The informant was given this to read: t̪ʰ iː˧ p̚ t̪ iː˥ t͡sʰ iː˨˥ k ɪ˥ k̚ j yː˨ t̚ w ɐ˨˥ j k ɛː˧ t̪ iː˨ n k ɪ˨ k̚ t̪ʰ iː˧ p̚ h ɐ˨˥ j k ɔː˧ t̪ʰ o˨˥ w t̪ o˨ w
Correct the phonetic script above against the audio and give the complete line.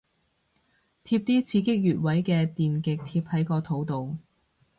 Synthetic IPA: t̪ʰ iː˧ p̚ t̪ iː˥ t͡sʰ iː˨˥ k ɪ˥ k̚ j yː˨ t̚ w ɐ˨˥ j k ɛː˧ t̪ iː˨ n k ɪ˨ k̚ t̪ʰ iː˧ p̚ h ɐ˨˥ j k ɔː˧ t̪ʰ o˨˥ w t̪ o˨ w